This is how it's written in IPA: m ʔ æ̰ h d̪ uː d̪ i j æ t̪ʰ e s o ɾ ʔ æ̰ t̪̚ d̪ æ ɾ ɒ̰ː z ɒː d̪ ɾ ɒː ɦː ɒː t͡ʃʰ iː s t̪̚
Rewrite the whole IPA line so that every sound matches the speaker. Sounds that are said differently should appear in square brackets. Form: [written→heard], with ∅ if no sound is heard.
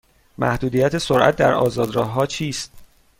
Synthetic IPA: m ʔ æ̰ h d̪ uː d̪ i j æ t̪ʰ e s o ɾ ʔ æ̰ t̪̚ d̪ æ ɾ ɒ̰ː z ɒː d̪ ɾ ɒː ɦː ɒː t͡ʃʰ iː s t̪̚